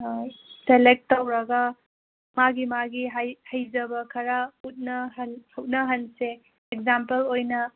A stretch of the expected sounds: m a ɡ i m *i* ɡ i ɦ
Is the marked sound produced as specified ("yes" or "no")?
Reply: no